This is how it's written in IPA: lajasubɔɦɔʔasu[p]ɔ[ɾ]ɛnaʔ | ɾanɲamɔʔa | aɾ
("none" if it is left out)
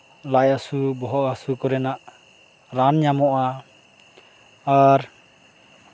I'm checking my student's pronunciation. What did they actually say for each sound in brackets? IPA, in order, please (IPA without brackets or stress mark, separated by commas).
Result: k, ɾ